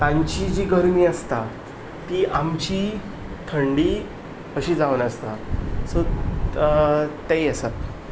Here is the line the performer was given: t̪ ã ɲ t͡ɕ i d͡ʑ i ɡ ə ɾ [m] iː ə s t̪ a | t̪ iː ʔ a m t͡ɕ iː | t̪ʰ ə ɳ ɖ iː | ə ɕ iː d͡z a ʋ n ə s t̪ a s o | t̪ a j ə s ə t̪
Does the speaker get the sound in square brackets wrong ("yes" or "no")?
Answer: no